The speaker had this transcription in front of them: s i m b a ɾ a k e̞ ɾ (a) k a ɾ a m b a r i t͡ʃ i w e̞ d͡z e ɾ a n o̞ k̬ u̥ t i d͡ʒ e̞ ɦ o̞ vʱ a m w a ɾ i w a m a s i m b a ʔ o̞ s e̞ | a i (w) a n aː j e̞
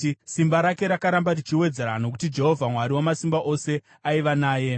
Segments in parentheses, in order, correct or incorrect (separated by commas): correct, incorrect